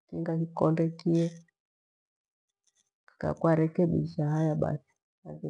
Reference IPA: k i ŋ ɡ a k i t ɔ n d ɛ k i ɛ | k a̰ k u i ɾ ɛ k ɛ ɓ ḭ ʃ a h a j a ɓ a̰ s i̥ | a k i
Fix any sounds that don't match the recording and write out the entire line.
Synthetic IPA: k i ŋ ɡ a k i k ɔ n d ɛ k i ɛ | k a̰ k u a ɾ ɛ k ɛ ɓ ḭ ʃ a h a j a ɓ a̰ s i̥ | a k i